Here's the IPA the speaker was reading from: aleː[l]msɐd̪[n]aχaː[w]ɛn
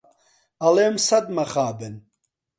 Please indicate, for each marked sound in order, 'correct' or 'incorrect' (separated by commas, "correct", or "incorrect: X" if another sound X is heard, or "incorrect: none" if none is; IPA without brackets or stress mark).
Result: incorrect: none, incorrect: m, incorrect: b